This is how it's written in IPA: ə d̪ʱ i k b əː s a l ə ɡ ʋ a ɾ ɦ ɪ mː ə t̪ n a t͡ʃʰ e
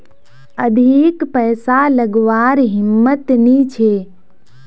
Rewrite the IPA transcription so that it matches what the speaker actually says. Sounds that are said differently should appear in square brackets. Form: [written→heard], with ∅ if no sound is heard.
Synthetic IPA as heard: ə d̪ʱ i k [b→p] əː s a l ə ɡ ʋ a ɾ ɦ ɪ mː ə t̪ n [a→i] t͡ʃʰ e